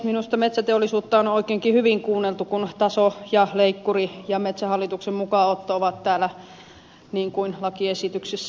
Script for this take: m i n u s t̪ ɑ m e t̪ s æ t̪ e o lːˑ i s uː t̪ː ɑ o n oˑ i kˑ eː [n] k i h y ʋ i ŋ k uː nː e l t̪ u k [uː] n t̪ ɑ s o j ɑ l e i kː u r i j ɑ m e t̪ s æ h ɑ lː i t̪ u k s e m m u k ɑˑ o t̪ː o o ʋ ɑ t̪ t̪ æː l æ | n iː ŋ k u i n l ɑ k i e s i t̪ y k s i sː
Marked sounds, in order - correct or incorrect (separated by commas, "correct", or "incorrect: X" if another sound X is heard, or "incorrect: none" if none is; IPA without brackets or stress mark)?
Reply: incorrect: ŋ, incorrect: u